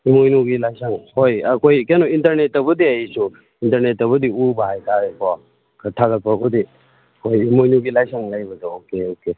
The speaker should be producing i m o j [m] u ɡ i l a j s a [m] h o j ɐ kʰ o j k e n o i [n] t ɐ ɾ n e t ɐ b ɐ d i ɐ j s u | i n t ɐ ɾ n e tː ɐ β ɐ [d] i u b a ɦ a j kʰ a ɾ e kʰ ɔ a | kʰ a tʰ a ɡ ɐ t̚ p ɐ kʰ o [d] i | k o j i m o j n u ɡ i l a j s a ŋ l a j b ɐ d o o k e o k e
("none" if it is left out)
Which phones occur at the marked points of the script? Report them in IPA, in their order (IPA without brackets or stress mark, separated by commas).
n, ŋ, n, d, d